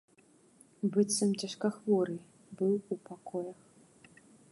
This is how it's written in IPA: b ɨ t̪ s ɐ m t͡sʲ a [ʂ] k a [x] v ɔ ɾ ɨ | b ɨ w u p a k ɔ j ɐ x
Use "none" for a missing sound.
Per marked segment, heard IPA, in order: ʂ, x

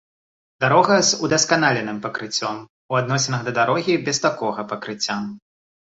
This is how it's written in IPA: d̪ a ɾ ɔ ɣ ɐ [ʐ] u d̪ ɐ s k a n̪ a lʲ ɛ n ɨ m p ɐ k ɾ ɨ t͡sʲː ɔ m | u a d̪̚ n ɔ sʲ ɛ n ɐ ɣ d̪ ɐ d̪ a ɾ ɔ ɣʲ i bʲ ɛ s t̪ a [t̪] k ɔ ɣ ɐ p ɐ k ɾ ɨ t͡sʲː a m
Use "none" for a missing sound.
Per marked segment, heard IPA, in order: z, none

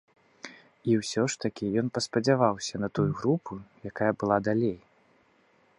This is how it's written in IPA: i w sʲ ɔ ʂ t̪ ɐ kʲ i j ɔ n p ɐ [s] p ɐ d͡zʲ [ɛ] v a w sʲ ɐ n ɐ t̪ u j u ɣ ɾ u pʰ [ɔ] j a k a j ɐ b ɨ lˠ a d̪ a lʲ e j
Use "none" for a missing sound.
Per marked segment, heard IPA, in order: s, a, u

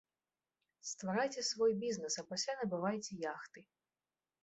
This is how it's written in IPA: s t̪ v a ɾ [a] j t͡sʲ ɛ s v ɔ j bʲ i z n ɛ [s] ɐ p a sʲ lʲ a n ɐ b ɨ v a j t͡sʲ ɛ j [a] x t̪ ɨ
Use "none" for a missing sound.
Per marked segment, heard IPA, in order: a, s, a

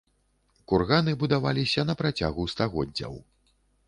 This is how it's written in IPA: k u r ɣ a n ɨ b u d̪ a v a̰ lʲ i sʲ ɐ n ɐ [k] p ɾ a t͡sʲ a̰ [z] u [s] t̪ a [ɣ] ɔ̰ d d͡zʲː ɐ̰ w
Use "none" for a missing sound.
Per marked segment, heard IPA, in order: none, ɣ, s, ɣ

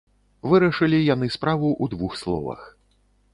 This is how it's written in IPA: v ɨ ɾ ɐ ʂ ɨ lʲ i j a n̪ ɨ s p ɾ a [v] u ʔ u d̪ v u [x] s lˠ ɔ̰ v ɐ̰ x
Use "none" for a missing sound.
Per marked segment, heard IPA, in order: v, x

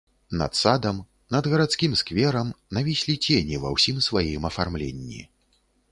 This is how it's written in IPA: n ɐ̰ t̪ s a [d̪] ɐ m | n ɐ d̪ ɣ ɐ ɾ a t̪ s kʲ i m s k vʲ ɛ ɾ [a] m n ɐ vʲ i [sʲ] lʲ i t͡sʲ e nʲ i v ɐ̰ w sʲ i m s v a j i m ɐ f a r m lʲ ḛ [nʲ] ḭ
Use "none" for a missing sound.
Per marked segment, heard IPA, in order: d̪, ɐ, sʲ, nʲː

